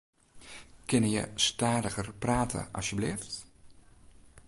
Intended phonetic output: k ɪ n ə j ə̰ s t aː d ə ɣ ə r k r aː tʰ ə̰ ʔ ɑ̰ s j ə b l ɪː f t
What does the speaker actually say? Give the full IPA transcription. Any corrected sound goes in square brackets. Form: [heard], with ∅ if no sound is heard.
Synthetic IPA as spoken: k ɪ n ə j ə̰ s t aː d ə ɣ ə r [p] r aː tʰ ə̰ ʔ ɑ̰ s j ə b l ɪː f t